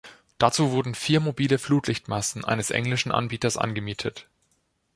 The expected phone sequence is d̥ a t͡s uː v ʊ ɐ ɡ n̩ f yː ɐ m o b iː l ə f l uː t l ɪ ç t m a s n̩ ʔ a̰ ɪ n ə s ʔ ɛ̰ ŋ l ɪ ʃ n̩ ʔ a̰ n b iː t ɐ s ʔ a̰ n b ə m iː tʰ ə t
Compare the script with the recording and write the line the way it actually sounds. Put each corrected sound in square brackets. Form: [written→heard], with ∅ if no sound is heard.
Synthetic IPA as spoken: d̥ a t͡s uː v ʊ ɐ [ɡ→d] n̩ f [yː→iː] ɐ m o b iː l ə f l uː t l ɪ ç t m a s n̩ ʔ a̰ ɪ n ə s ʔ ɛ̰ ŋ l ɪ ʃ n̩ ʔ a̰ n b iː t ɐ s ʔ a̰ n [b→ɡ] ə m iː tʰ ə t